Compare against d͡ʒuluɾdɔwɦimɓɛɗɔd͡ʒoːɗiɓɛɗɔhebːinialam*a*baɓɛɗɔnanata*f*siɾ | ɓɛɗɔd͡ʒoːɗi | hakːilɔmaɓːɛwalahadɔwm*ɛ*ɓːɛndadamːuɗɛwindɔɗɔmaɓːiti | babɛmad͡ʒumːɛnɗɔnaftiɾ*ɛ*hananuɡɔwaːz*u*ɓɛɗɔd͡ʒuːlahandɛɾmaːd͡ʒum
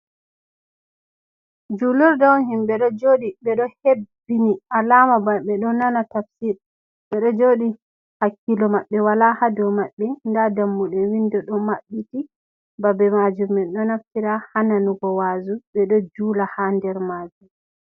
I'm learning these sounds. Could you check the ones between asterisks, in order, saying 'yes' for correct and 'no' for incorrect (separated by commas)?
yes, yes, no, no, yes